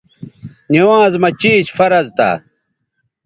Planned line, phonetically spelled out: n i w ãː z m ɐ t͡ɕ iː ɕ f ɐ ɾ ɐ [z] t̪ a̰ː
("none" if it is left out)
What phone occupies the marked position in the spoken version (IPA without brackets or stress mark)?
z